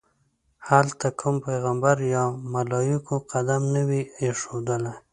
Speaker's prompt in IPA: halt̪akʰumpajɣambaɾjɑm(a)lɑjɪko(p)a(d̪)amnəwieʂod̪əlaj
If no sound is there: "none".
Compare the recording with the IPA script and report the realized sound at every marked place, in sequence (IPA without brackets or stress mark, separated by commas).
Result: a, q, d̪